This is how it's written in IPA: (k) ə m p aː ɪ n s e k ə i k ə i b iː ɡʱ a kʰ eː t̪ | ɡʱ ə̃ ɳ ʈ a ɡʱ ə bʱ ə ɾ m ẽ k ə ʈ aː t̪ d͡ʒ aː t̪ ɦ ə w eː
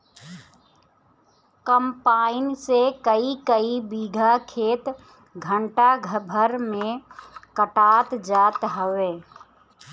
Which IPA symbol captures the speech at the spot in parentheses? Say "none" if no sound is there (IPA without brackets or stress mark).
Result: k